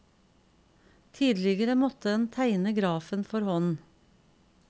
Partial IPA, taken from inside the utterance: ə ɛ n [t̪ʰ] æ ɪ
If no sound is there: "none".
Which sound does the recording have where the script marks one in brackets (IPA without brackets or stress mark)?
t̪ʰ